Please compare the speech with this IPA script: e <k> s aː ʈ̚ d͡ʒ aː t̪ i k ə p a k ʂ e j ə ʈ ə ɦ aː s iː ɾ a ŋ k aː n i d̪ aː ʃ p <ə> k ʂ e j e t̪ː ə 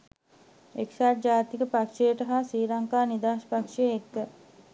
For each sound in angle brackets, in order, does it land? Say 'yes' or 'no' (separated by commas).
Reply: yes, no